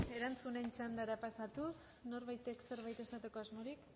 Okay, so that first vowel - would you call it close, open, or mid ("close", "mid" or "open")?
mid